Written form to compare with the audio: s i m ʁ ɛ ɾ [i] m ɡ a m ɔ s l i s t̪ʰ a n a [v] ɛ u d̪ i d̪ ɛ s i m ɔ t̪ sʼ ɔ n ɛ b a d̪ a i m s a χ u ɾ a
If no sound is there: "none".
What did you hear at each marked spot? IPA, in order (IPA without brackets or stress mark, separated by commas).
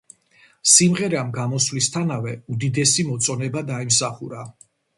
a, v